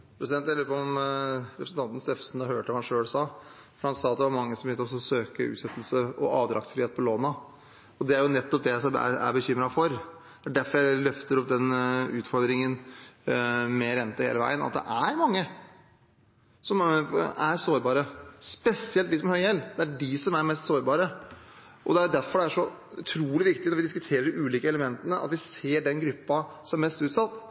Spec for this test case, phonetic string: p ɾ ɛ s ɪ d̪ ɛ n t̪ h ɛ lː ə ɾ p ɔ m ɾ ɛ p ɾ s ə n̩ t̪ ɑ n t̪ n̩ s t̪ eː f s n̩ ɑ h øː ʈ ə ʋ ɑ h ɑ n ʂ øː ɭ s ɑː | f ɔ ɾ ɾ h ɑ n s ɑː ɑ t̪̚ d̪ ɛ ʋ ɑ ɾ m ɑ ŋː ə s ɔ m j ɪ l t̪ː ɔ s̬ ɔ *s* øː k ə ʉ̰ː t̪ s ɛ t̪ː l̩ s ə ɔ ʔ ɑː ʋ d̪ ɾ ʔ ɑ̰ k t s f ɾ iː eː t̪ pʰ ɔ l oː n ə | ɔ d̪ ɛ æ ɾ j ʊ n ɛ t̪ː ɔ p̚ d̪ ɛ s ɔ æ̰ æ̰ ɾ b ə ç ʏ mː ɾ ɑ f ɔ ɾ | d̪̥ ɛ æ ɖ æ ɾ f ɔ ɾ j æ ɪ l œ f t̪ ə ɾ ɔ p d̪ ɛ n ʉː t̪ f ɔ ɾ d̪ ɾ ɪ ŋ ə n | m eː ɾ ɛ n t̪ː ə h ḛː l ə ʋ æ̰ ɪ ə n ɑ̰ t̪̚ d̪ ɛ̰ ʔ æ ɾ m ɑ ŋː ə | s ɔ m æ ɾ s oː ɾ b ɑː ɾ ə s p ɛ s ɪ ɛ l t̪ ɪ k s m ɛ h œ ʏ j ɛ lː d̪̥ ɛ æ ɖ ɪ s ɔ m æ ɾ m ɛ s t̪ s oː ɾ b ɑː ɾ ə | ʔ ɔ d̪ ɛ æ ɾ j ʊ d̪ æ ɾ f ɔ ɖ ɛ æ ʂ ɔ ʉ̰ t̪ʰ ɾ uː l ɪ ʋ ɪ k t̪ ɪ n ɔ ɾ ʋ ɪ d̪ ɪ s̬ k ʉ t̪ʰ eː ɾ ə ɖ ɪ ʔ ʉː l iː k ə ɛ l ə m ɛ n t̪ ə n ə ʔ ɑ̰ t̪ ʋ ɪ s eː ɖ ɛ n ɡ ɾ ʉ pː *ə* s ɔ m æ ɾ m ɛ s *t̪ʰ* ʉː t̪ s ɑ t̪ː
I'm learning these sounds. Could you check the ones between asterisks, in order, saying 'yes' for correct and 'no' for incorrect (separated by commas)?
yes, no, no